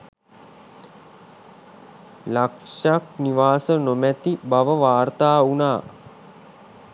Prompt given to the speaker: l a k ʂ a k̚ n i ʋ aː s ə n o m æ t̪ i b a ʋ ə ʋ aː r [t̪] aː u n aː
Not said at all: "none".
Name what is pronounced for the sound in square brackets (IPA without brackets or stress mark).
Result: t̪